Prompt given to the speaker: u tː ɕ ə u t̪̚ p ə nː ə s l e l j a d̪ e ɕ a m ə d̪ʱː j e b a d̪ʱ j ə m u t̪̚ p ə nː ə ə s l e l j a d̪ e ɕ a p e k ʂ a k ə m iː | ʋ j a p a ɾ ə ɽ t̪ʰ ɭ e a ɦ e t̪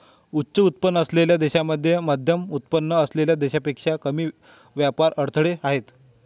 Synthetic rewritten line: u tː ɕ ə u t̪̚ p ə nː ə s l e l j a d̪ e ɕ a m ə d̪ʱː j e m a d̪ʱ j ə m u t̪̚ p ə nː ə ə s l e l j a d̪ e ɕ a p e k ʂ a k ə m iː | ʋ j a p a ɾ ə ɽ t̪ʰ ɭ e a ɦ e t̪